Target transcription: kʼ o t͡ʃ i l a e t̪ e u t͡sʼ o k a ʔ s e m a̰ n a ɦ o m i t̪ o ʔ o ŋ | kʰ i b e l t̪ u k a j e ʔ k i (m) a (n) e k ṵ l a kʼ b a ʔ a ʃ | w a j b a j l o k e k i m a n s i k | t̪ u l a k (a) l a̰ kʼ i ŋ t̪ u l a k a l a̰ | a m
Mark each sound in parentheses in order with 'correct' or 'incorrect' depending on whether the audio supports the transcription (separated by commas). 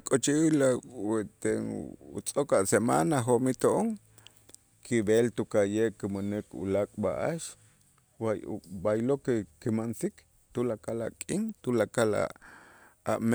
correct, correct, correct